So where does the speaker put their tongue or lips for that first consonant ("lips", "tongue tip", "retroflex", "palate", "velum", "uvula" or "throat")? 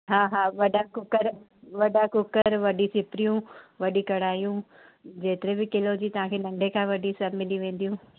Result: throat